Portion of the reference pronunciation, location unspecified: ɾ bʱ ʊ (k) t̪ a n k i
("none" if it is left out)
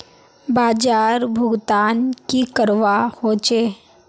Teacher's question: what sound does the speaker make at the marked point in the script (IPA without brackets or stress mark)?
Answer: ɡ